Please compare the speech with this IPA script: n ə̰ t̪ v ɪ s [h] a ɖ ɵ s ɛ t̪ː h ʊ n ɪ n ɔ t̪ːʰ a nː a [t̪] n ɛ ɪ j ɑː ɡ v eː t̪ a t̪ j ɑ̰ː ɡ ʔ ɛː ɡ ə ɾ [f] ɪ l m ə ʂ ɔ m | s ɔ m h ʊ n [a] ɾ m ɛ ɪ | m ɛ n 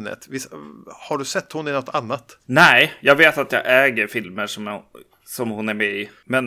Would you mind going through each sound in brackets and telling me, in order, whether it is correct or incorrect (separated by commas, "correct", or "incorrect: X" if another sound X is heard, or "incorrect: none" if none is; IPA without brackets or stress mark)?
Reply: correct, correct, correct, incorrect: æ